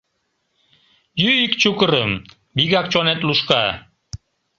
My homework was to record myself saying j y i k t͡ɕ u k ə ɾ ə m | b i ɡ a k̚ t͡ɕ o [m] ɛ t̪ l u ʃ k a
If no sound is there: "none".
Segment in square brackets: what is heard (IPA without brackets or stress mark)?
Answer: n